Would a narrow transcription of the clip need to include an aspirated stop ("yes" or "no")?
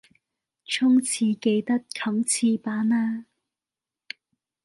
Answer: yes